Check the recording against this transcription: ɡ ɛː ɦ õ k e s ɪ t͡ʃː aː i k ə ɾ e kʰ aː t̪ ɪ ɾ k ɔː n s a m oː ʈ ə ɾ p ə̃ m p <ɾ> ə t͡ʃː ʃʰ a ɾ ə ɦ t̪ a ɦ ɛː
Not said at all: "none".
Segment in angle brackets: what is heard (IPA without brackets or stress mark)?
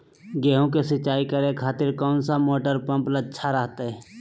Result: l